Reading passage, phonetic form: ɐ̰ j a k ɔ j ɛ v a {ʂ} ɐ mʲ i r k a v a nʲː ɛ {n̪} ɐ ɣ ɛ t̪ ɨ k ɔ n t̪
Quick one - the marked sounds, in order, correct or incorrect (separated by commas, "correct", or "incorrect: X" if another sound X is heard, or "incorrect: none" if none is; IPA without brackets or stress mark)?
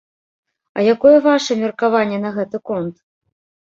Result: correct, correct